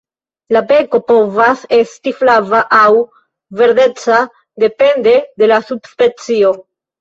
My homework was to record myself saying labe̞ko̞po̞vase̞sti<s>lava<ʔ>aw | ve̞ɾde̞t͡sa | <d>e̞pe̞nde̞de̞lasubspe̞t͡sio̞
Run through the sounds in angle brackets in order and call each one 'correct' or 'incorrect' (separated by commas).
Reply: incorrect, correct, correct